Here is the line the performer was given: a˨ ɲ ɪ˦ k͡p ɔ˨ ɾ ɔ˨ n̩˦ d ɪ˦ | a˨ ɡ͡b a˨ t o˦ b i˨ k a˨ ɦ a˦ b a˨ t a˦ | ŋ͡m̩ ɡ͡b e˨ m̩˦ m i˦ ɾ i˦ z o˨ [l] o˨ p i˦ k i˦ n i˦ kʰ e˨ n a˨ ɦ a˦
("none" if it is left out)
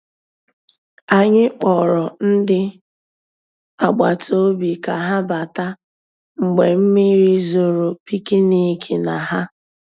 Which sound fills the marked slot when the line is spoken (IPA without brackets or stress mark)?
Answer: ɾ